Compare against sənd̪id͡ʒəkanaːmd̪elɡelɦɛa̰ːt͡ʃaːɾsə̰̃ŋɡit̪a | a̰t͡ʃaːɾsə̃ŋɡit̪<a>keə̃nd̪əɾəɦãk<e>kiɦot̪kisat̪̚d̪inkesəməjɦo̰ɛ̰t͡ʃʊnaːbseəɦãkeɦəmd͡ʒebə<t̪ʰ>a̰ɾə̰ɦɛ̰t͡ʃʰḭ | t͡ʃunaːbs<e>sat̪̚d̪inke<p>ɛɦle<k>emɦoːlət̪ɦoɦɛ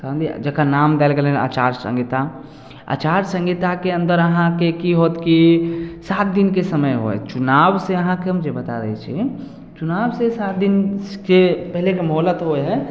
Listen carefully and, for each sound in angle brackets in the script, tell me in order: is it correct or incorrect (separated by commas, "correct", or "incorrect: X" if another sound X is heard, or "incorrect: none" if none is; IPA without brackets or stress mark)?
correct, correct, incorrect: t̪, correct, correct, correct